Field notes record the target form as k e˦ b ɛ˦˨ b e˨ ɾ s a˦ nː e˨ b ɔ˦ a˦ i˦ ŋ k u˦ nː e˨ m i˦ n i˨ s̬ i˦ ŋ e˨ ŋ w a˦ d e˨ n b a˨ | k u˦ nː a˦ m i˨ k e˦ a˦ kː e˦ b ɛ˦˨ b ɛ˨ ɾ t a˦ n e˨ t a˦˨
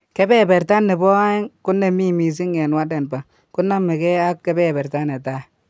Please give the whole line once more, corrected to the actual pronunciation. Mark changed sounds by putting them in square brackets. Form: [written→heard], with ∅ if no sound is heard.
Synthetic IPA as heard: k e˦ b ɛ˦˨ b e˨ ɾ [s→t] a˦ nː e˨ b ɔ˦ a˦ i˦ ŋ k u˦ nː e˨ m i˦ [n→m] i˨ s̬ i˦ ŋ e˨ [ŋ→n] w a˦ d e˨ n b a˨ | k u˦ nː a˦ m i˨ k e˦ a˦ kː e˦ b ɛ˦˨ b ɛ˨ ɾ t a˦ n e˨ t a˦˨